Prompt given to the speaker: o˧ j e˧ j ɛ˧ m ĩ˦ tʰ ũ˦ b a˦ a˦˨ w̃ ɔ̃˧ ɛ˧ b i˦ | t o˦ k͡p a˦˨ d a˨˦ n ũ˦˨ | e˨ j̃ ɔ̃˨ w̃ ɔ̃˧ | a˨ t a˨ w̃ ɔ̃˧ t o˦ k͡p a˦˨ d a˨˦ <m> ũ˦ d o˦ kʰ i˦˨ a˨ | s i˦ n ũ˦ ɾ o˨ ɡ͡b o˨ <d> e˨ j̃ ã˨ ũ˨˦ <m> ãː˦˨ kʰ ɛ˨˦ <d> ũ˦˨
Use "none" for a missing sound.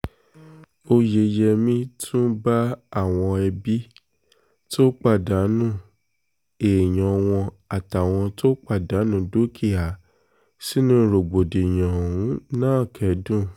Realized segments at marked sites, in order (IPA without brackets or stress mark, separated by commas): n, d, n, d